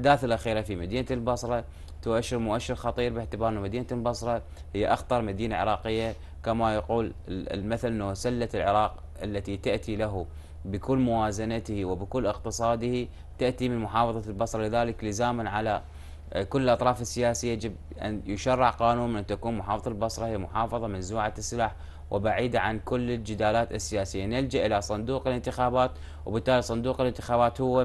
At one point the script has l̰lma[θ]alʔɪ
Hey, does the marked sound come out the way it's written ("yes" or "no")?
yes